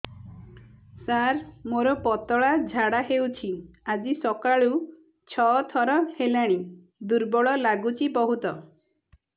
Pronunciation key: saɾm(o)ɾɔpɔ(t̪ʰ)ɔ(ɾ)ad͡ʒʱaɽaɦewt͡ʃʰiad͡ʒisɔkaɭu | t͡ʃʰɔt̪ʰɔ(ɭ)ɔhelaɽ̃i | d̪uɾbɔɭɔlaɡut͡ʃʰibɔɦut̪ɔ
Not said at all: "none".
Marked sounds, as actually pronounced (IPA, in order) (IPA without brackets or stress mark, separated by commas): o, t̪, ɭ, ɾ